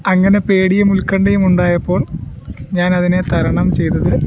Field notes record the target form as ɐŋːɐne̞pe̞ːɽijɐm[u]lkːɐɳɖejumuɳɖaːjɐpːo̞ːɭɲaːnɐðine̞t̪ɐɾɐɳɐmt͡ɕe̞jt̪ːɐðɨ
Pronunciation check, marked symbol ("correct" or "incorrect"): correct